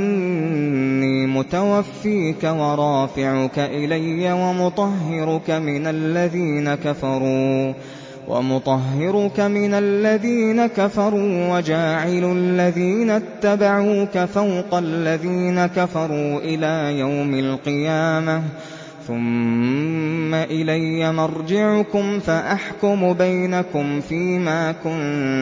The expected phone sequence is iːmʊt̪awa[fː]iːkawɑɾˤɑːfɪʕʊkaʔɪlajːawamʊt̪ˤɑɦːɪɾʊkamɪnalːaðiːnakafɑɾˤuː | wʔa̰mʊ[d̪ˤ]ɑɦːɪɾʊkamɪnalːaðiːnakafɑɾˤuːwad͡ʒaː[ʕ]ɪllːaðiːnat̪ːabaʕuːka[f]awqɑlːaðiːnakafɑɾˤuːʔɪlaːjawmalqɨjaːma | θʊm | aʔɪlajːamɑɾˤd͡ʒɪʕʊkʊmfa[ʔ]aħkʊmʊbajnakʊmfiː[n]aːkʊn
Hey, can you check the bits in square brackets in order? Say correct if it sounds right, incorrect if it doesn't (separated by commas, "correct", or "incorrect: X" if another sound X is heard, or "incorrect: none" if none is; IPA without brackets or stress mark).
correct, incorrect: t̪ˤ, correct, correct, correct, incorrect: m